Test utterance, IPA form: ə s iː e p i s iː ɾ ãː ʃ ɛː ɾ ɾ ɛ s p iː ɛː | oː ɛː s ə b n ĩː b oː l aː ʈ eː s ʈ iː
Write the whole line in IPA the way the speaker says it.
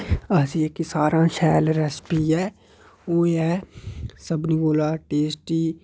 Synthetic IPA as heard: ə s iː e k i s aː ɾ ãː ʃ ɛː l ɾ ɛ s p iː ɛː | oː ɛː s ə b n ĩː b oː l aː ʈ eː s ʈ iː